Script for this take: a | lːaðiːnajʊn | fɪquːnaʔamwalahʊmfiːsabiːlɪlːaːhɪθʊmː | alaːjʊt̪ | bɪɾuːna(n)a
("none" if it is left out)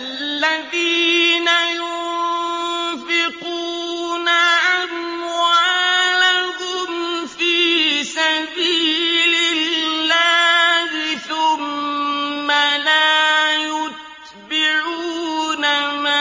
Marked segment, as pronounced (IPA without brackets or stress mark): m